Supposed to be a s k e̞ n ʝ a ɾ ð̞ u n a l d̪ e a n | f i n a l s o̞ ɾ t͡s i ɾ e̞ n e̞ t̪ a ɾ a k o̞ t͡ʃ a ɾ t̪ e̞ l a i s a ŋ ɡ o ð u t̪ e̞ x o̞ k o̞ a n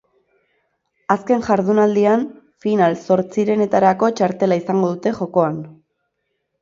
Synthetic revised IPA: a s k e̞ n ʝ a ɾ ð̞ u n a l d̪ i a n | f i n a l s o̞ ɾ t͡s i ɾ e̞ n e̞ t̪ a ɾ a k o̞ t͡ʃ a ɾ t̪ e̞ l a i s a ŋ ɡ o ð u t̪ e̞ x o̞ k o̞ a n